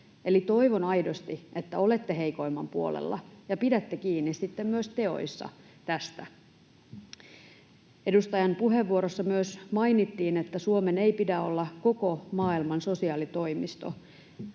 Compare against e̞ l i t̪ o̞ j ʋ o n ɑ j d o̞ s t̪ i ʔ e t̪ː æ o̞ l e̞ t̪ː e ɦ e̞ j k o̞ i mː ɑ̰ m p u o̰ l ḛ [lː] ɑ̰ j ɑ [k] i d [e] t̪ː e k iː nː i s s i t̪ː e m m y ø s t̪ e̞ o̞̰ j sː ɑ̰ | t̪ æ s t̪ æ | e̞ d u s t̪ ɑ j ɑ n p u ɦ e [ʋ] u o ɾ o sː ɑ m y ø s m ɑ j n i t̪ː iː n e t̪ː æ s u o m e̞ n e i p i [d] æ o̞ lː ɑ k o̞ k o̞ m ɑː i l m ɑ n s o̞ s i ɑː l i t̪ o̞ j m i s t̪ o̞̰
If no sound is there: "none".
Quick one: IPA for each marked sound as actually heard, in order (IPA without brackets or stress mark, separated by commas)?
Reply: lː, p, æ, ʋː, d